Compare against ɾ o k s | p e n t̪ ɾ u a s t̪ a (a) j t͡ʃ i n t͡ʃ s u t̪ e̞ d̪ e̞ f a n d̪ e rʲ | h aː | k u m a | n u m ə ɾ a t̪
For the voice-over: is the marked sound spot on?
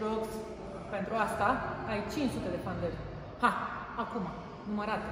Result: yes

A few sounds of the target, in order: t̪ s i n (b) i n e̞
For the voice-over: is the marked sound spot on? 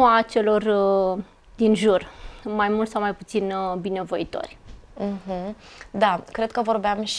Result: yes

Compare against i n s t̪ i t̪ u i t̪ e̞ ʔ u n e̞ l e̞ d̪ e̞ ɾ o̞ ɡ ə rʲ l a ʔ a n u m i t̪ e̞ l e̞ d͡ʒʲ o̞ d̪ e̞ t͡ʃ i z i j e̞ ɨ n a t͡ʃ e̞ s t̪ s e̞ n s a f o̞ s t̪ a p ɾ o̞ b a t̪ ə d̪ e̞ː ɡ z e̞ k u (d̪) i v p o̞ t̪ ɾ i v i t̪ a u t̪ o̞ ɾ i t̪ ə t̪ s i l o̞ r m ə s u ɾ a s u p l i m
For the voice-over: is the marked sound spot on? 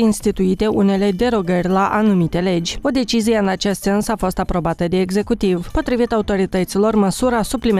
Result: no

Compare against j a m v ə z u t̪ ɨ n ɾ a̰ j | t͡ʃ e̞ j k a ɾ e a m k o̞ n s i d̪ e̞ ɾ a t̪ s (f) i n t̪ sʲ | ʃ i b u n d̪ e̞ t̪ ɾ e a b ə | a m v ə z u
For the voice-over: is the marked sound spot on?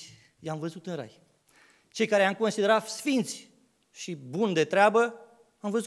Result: yes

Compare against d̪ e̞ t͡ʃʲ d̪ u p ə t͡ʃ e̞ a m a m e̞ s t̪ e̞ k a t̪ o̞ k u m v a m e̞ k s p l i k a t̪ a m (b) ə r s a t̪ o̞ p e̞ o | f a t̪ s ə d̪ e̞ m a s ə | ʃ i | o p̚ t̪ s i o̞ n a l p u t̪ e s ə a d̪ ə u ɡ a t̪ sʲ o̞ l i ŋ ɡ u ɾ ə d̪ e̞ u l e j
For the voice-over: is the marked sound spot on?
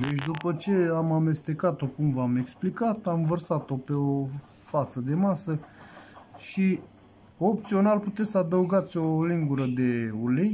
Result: no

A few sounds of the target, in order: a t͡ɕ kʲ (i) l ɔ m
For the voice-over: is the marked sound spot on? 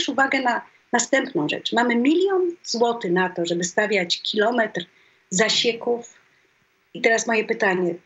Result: yes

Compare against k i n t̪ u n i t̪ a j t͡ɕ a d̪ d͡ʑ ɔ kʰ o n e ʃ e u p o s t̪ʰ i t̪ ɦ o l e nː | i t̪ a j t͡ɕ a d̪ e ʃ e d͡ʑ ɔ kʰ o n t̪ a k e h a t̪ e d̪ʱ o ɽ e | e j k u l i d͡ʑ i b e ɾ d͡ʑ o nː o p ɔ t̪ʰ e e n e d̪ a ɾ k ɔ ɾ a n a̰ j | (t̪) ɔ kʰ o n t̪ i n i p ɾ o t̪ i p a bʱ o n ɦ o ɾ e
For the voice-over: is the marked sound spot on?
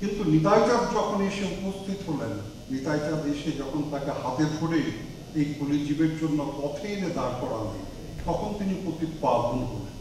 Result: yes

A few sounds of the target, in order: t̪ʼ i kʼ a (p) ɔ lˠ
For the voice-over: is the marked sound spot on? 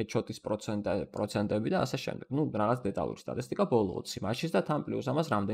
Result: no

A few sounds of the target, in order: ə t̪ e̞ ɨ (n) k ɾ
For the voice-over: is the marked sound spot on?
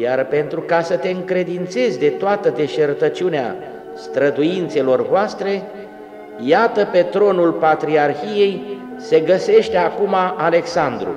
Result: no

